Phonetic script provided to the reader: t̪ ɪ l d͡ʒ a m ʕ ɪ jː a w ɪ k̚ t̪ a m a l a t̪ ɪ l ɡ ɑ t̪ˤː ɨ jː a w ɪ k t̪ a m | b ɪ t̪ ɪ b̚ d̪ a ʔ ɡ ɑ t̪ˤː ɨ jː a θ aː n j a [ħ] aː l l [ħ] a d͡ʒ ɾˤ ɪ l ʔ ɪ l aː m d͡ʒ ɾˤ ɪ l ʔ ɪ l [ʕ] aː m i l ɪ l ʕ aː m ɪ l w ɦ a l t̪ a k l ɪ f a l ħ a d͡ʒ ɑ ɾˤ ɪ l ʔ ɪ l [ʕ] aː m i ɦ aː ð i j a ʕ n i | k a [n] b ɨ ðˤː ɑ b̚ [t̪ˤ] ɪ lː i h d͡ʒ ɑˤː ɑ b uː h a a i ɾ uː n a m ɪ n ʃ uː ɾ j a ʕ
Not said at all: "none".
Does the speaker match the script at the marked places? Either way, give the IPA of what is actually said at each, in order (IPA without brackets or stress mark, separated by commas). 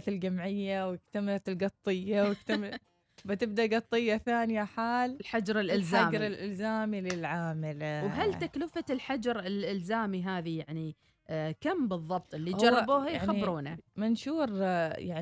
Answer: ħ, ħ, z, z, m, t̪ˤ